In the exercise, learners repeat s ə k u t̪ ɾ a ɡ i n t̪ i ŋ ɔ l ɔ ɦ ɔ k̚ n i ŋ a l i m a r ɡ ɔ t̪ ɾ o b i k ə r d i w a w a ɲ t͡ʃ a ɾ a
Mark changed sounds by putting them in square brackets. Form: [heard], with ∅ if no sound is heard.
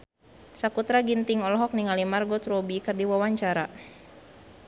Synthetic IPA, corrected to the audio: s [a] k u t̪ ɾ a ɡ i n t̪ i ŋ ɔ l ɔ ɦ ɔ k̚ n i ŋ a l i m a r ɡ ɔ t̪ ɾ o b i k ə r d i w a w a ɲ t͡ʃ a ɾ a

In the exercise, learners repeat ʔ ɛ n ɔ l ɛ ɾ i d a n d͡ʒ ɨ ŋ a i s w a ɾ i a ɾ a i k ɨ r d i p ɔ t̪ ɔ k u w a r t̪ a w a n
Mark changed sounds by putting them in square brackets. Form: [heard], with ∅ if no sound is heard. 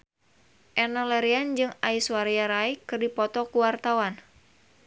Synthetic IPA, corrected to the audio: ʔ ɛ n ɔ l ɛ ɾ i [∅] a n d͡ʒ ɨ ŋ a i s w a ɾ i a ɾ a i k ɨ r d i p ɔ t̪ ɔ k u w a r t̪ a w a n

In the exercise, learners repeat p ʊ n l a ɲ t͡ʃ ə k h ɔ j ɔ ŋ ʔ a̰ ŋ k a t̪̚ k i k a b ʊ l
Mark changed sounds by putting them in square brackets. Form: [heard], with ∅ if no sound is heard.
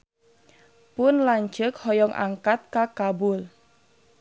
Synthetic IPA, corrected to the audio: p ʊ n l a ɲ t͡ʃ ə k h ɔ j ɔ ŋ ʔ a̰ ŋ k a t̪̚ k [a] k a b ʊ l

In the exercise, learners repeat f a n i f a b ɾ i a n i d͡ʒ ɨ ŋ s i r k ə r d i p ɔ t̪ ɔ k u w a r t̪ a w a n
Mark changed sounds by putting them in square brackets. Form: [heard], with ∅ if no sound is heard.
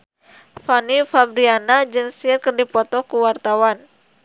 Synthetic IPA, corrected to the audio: f a n i f a b ɾ i a n [a] d͡ʒ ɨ ŋ s i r k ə r d i p ɔ t̪ ɔ k u w a r t̪ a w a n

